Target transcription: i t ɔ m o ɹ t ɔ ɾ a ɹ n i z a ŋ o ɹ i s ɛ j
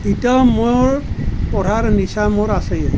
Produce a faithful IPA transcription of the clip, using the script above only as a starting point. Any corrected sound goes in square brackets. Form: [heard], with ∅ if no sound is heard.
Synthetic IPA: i t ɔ m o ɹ [p] ɔ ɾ a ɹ n i [s] a [m] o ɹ [a] s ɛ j